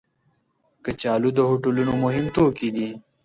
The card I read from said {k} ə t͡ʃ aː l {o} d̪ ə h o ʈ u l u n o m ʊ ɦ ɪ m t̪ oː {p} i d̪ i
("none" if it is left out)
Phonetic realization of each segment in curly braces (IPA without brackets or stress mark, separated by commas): k, u, k